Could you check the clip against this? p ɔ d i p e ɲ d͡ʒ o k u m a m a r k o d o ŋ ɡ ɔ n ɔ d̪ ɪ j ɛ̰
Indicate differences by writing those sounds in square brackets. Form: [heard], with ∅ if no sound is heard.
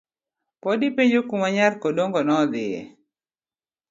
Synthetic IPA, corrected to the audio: p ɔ d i p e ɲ d͡ʒ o k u m a [ɲ] a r k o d o ŋ ɡ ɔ n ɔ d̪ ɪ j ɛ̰